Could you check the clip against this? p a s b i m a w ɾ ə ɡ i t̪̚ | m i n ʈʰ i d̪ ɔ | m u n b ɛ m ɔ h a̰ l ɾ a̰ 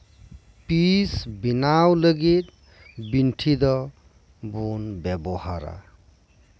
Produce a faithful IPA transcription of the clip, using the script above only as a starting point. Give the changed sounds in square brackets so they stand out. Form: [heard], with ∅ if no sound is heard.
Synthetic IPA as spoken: p [i] s b i [n] a w [l] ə ɡ i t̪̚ | [b] i n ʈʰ i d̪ ɔ | [b] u n b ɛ [b] ɔ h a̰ [∅] ɾ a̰